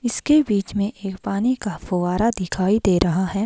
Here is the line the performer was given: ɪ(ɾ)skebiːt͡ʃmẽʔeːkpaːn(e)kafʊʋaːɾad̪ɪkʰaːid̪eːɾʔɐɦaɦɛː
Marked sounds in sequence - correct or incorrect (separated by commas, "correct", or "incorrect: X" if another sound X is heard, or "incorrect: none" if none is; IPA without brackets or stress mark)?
incorrect: none, incorrect: i